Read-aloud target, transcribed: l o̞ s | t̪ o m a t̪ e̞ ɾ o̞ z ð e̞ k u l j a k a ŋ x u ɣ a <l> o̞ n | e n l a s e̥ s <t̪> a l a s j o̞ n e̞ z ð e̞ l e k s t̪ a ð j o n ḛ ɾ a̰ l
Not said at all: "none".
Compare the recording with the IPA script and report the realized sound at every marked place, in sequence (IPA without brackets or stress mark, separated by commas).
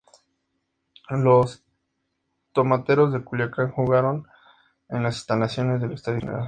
ɾ, t̪